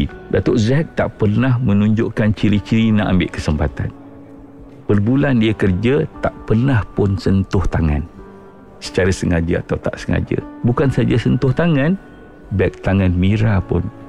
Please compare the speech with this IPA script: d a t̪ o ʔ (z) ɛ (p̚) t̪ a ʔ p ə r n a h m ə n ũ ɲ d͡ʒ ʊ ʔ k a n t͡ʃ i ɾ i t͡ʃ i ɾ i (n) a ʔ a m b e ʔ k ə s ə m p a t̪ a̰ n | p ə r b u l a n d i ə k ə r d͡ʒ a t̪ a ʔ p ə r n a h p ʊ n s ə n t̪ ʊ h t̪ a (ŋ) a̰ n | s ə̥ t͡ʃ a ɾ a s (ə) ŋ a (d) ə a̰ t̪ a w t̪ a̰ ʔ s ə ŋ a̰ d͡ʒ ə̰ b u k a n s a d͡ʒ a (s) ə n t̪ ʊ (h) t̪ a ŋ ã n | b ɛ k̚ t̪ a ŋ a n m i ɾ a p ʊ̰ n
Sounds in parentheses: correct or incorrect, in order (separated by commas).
correct, incorrect, correct, correct, correct, incorrect, correct, correct